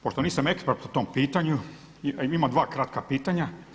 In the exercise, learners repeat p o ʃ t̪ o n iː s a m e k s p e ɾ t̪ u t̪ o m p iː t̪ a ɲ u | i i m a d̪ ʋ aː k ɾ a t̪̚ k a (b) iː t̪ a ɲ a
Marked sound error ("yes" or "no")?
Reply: yes